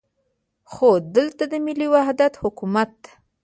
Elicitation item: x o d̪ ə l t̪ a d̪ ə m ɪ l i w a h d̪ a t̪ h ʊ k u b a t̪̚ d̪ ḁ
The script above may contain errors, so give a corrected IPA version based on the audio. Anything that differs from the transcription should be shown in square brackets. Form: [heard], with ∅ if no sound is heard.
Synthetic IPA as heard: x o d̪ ə l t̪ a d̪ ə m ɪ l i w a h d̪ a t̪ h ʊ k u [m] a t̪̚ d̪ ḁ

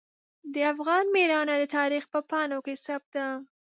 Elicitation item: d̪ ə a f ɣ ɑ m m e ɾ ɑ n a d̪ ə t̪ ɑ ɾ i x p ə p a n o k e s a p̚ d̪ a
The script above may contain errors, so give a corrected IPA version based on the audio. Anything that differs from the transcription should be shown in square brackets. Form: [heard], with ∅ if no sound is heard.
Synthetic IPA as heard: d̪ ə a f ɣ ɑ [n] m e ɾ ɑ n a d̪ ə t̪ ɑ ɾ i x p ə p [ɑ] n o k e s a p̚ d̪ a

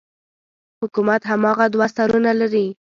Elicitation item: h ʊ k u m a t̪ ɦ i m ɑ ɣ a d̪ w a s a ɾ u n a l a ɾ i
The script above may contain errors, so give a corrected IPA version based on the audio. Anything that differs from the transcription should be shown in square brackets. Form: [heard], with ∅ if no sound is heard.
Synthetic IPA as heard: h ʊ k u m a t̪ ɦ [a] m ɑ ɣ a d̪ w a s a ɾ u n a l a ɾ i

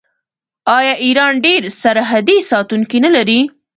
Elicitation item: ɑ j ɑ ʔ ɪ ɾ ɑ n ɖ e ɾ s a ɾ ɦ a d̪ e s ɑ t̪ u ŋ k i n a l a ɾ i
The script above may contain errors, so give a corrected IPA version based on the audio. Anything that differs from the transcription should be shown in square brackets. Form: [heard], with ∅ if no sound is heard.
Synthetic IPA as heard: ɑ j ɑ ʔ [i] ɾ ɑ n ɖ e ɾ s a ɾ ɦ a d̪ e s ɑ t̪ u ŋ k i n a l a ɾ i

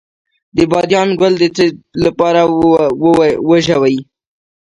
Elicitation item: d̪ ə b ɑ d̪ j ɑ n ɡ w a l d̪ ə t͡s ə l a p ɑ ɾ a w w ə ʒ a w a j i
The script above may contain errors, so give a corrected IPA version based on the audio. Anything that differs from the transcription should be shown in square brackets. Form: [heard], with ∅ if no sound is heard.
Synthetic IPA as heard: d̪ ə b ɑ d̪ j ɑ n ɡ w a l d̪ ə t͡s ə l a p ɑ ɾ a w w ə ʒ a w a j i

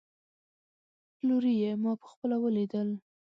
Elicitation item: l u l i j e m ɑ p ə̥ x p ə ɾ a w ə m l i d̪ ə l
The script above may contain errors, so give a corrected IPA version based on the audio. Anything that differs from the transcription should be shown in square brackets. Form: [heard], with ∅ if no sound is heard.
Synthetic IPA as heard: l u [ɾ] i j e m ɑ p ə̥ x p ə [l] a w ə [∅] l i d̪ ə l

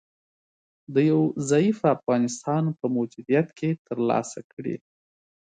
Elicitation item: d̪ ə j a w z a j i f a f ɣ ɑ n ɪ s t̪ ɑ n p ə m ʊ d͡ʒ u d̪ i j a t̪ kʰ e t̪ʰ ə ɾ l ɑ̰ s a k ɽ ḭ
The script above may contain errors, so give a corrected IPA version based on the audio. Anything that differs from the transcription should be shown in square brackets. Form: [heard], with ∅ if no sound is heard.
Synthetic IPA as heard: d̪ ə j a w z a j i f a f ɣ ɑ n ɪ s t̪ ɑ n p ə m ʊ d͡ʒ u d̪ i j a t̪ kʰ e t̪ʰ ə ɾ l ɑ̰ s a k ɽ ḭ

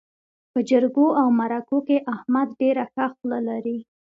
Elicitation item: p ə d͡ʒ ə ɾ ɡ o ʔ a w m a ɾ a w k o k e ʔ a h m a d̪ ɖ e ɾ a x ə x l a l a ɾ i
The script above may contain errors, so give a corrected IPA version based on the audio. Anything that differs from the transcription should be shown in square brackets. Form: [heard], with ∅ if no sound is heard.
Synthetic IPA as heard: p ə d͡ʒ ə ɾ ɡ o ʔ a w m a ɾ a [∅] k o k e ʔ a h m a d̪ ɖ e ɾ a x [a] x l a l a ɾ i

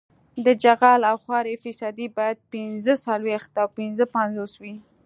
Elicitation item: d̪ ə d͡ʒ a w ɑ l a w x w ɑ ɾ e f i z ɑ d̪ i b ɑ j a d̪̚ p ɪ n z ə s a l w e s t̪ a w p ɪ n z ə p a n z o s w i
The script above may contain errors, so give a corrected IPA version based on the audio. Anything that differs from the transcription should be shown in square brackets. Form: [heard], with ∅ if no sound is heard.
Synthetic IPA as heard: d̪ ə d͡ʒ a [ɣ] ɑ l a w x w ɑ ɾ e f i [s] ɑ d̪ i b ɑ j a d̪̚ p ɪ n z ə s a l w e [x] t̪ a w p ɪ n z ə p a n z o s w i

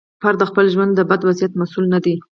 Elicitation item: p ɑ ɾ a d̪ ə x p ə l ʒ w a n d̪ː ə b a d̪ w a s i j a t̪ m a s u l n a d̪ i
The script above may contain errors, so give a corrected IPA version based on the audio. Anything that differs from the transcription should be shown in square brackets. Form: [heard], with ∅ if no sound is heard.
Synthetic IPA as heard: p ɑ ɾ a d̪ ə x p ə l ʒ w a n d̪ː ə b a d̪ w a [z] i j a t̪ m a s u l n a d̪ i

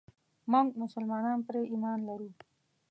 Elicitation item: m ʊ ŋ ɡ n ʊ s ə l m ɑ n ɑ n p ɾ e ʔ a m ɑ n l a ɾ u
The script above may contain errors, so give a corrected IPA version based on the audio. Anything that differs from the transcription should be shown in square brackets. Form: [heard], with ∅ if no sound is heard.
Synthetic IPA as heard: m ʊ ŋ ɡ [m] ʊ s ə l m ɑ n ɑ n p ɾ e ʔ [i] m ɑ n l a ɾ u

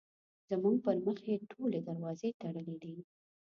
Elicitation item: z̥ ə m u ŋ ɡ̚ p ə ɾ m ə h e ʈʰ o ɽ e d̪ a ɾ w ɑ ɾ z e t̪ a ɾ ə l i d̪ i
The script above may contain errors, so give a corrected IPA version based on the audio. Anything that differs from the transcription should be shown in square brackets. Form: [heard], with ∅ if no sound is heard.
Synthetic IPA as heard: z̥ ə m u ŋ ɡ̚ p ə ɾ m ə [x] e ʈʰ o [l] e d̪ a ɾ w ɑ [∅] z e t̪ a [ɽ] ə l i d̪ i

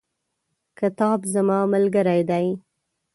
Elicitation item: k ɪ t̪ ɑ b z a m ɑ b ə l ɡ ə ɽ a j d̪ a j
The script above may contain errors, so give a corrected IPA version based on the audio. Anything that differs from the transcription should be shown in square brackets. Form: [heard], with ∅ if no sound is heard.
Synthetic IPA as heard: k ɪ t̪ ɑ b z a m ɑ [m] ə l ɡ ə [ɾ] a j d̪ a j

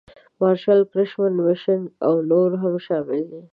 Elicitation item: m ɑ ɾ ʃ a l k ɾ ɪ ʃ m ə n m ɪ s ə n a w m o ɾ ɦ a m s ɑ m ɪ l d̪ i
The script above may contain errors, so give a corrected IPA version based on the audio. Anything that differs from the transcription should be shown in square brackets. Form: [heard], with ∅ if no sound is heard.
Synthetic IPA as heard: m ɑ ɾ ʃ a l k ɾ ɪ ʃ m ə n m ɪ [ʃ] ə n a w [n] o ɾ ɦ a m [ʃ] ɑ m ɪ l d̪ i

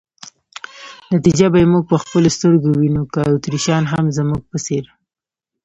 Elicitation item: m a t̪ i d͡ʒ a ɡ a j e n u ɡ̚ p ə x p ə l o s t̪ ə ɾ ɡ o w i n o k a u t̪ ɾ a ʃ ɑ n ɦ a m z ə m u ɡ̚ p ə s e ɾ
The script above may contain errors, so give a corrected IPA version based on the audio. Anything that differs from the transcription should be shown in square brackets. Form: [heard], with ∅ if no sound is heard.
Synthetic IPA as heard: [n] a t̪ i d͡ʒ a [b] a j e [m] u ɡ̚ p ə x p ə l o s t̪ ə ɾ ɡ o w i n o k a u t̪ ɾ [i] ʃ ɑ n ɦ a m z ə m u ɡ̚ p ə s e ɾ

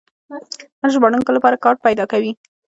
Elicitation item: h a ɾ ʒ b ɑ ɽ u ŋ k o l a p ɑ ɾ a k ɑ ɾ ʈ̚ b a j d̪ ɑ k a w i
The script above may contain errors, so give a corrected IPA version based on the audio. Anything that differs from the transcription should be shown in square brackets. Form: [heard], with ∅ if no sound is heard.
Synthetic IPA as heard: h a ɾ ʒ b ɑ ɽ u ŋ k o l a p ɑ ɾ a k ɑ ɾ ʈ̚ [p] a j d̪ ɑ k a w i

